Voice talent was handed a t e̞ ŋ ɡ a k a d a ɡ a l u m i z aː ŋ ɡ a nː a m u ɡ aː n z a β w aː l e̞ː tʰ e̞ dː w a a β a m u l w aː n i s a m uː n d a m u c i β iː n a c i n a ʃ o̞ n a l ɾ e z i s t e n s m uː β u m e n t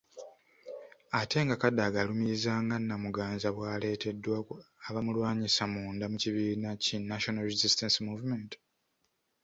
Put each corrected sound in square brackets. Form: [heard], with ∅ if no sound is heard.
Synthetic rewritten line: a t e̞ ŋ ɡ a k a d a ɡ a l u m i z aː ŋ ɡ a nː a m u ɡ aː n z a β w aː l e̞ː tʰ e̞ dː w a a β a m u l w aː [ɲ] i s a m uː n d a m u c i β iː n a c i n a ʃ o̞ n a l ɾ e z i s t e n s m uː [v] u m e n t